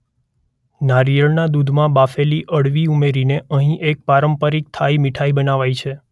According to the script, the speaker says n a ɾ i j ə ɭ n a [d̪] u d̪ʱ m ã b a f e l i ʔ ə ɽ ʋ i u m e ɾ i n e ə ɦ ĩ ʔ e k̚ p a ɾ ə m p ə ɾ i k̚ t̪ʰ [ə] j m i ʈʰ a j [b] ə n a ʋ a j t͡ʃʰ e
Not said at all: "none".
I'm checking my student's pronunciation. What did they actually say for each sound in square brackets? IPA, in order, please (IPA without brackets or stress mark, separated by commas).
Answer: d̪, a, b